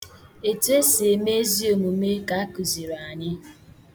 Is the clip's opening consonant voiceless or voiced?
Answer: voiceless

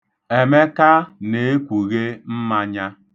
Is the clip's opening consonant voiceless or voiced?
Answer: voiced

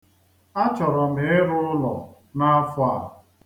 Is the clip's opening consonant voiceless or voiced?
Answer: voiceless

